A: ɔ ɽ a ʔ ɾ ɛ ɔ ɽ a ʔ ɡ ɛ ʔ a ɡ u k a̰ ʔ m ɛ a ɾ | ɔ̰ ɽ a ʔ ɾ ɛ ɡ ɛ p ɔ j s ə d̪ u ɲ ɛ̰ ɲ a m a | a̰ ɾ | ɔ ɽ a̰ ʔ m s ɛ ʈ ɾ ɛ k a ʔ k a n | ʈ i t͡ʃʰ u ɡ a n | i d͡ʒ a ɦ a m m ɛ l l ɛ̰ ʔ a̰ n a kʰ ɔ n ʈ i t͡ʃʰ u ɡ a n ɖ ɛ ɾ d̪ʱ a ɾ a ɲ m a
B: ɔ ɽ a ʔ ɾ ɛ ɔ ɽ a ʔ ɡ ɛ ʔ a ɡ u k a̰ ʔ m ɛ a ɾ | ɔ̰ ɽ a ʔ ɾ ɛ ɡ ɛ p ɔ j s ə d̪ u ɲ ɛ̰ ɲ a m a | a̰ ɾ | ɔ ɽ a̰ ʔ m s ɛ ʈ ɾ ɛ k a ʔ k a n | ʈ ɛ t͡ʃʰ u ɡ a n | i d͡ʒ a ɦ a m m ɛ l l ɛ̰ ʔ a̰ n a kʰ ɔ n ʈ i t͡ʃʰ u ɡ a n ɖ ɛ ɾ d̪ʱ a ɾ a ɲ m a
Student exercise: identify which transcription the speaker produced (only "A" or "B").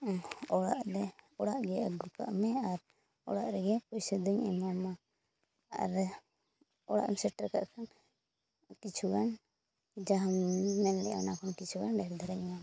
A